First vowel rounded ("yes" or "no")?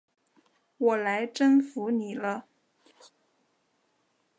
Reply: yes